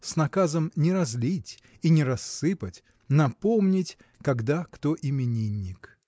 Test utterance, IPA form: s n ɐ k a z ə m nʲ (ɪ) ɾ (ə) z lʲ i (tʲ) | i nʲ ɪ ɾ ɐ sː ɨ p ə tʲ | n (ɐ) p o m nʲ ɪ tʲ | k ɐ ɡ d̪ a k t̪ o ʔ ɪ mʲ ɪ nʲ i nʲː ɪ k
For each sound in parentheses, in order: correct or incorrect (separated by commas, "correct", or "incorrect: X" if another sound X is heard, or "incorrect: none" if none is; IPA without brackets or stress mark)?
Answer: correct, incorrect: ɐ, correct, correct